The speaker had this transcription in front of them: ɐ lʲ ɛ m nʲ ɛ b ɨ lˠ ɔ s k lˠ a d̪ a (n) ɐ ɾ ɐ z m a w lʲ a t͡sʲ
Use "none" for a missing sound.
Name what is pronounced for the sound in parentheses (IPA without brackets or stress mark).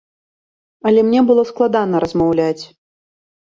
n